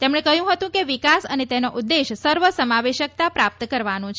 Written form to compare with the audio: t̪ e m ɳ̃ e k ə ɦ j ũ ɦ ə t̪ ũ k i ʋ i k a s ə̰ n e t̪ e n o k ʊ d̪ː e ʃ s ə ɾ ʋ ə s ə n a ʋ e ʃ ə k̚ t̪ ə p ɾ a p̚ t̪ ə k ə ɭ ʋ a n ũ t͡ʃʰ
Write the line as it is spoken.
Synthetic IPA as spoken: t̪ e m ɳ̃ e k ə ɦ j ũ ɦ ə t̪ ũ k e ʋ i k a s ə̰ n e t̪ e n o ʔ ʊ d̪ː e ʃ s ə ɾ ʋ ə s ə m a ʋ e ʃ ə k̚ t̪ a p ɾ a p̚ t̪ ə k ə ɾ ʋ a n ũ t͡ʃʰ